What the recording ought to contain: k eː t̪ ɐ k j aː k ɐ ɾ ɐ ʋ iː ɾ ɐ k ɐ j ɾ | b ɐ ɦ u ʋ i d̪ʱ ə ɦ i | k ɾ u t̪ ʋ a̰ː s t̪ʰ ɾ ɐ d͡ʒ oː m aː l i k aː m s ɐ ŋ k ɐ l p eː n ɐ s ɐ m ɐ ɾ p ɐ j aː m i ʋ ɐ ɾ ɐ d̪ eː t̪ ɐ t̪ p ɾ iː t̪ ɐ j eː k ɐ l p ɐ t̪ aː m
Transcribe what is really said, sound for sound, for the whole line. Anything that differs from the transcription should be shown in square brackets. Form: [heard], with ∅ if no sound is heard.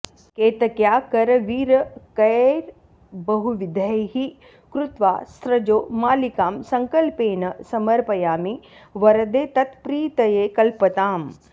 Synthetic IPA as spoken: k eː t̪ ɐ k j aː k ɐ ɾ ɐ ʋ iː ɾ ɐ k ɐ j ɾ | b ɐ ɦ u ʋ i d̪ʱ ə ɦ i | k ɾ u t̪ ʋ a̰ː s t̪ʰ ɾ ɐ d͡ʒ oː m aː l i k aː m s ɐ ŋ k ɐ l p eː n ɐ s ɐ m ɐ ɾ p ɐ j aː m i ʋ ɐ ɾ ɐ d̪ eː t̪ ɐ t̪ p ɾ iː t̪ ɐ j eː k ɐ l p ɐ t̪ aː m